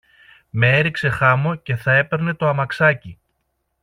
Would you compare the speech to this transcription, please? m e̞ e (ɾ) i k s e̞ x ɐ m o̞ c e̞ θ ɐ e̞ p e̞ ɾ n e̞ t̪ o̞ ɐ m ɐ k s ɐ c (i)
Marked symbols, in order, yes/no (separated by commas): yes, yes